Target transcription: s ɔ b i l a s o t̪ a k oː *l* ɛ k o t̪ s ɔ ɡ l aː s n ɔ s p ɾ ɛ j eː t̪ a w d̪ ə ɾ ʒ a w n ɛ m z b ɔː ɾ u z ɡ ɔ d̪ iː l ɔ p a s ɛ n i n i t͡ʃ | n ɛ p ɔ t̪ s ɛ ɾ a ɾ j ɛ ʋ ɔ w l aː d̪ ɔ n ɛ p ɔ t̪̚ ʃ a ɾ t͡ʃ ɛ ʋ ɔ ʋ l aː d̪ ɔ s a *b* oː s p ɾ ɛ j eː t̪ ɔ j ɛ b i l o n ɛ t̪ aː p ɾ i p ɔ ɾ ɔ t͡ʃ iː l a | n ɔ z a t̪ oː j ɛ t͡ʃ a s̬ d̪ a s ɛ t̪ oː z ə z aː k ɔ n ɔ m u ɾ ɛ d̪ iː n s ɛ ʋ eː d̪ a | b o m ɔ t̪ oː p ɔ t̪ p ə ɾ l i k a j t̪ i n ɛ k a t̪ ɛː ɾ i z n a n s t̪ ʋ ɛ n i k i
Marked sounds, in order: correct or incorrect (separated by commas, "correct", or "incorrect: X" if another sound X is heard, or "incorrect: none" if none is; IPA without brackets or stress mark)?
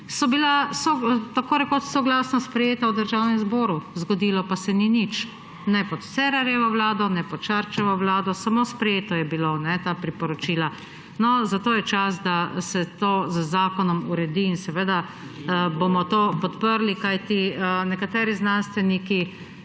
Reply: incorrect: ɾ, incorrect: m